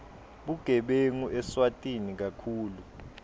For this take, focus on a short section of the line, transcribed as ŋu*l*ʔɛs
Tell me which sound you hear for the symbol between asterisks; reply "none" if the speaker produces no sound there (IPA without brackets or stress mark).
none